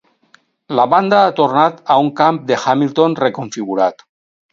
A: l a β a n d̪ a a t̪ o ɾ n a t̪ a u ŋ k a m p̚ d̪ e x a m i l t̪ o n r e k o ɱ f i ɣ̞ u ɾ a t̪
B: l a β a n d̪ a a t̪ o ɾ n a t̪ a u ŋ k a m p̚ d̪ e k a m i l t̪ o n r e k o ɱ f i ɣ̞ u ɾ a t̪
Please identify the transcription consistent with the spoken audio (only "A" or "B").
A